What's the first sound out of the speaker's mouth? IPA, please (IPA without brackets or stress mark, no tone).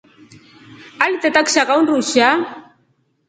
a